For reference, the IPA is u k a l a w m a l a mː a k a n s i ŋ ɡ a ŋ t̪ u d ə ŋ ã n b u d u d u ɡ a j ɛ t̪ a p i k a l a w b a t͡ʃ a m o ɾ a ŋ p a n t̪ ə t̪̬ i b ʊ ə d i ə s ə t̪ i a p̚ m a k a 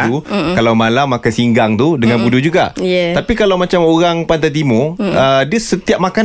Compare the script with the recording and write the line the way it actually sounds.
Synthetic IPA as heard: u k a l a w m a l a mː a k a n s i ŋ ɡ a ŋ t̪ u d ə ŋ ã n b u d u d͡ʒ u ɡ a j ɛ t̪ a p i k a l a w m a t͡ʃ a m o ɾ a ŋ p a n t̪ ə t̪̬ i m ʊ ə d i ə s ə t̪ i a p̚ m a k a